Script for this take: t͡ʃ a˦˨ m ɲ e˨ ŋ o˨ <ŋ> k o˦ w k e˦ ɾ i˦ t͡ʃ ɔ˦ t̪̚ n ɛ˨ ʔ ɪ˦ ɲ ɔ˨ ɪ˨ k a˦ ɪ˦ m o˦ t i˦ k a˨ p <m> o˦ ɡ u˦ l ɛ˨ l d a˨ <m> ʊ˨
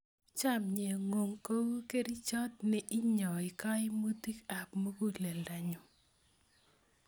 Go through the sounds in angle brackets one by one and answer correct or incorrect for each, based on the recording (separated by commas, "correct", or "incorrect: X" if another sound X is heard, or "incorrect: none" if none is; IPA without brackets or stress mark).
correct, correct, incorrect: ɲ